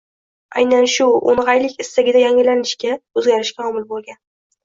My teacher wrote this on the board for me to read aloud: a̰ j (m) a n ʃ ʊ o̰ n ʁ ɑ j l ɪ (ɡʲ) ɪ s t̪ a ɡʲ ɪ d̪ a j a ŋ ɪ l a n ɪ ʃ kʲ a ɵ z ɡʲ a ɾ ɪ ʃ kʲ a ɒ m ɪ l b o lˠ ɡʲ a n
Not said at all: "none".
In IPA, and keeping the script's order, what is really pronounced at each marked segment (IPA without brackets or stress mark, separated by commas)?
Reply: n, kʲ